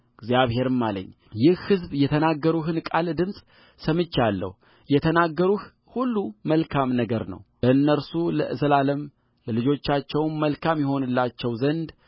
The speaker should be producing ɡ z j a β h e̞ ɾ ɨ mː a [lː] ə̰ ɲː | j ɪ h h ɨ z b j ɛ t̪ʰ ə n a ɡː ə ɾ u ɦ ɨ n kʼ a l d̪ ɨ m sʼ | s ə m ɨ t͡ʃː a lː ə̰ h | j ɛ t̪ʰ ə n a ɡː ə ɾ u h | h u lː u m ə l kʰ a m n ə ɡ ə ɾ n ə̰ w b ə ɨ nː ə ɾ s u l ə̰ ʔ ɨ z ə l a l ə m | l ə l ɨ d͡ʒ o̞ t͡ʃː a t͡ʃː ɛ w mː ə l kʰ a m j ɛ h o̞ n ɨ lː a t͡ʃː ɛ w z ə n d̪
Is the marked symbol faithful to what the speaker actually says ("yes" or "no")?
no